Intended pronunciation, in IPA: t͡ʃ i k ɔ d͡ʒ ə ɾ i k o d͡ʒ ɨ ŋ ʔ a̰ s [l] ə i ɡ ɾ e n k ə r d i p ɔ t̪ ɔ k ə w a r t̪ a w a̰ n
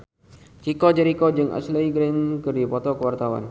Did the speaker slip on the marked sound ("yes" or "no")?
no